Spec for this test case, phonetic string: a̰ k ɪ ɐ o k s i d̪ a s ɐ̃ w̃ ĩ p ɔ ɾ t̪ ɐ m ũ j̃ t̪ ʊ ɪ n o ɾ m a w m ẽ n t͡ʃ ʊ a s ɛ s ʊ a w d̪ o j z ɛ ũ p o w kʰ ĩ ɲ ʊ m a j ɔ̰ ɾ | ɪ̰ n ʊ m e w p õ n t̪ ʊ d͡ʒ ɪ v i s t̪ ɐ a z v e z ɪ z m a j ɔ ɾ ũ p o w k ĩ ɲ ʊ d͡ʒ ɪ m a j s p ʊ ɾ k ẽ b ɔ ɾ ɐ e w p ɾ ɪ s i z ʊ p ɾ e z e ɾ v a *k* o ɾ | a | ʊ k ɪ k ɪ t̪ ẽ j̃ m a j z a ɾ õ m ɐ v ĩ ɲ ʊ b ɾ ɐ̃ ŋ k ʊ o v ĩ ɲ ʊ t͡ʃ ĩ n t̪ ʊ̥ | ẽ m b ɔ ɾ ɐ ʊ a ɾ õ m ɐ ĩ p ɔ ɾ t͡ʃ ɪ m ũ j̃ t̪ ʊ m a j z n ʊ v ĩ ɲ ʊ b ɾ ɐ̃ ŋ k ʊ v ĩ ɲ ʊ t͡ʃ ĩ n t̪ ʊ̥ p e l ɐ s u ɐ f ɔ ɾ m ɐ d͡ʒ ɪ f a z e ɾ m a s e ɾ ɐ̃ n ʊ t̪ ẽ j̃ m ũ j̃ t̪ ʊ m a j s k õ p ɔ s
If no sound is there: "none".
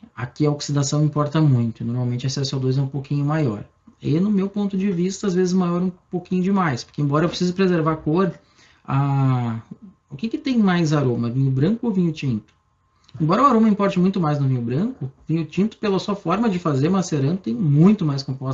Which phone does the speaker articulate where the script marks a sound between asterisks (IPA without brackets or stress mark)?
k